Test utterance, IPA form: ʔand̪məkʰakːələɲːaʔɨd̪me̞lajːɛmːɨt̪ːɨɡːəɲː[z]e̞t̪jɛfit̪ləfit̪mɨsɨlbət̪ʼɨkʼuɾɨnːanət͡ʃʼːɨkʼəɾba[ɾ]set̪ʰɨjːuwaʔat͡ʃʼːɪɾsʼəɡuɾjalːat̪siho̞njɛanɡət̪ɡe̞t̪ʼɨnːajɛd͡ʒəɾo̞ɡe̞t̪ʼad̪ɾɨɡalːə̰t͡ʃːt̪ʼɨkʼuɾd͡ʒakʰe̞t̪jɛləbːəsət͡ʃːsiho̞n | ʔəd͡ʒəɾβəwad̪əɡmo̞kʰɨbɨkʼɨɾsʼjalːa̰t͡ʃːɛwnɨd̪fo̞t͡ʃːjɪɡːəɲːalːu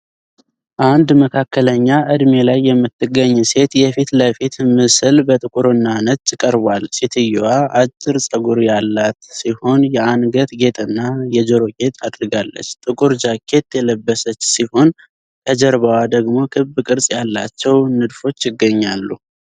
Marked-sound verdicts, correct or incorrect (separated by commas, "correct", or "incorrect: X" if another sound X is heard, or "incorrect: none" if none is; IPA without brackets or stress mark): incorrect: s, incorrect: l